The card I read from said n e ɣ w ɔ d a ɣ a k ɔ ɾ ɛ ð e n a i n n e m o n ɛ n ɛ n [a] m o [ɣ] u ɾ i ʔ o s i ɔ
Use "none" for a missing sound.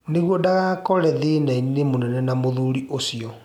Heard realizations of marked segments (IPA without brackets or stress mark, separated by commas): a, ð